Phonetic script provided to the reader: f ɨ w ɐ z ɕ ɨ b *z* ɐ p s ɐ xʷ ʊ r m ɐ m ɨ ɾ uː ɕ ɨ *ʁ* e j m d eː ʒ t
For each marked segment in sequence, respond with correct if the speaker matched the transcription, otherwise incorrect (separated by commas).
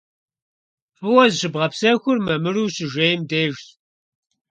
incorrect, incorrect